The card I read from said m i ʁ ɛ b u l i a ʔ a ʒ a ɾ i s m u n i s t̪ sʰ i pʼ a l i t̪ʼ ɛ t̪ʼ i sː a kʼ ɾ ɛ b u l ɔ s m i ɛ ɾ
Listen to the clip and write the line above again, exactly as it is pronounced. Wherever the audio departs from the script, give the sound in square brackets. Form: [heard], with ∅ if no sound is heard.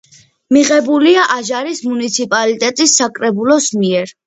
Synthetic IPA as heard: m i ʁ ɛ b u l i a ʔ a ʒ a ɾ i s m u n i [∅] t̪ sʰ i pʼ a l i t̪ʼ ɛ t̪ʼ i sː a kʼ ɾ ɛ b u l ɔ s m i ɛ ɾ